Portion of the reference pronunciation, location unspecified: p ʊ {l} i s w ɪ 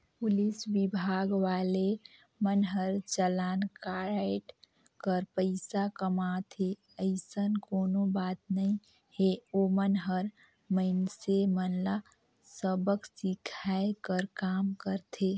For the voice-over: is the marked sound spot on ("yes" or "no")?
yes